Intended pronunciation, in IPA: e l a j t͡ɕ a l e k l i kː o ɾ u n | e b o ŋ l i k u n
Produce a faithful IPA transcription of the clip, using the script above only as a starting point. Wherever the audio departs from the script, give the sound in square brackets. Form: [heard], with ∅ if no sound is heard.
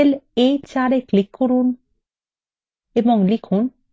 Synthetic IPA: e l [e] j t͡ɕ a [ɾ] e k l i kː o ɾ u n | e b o ŋ l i [kʰ] u n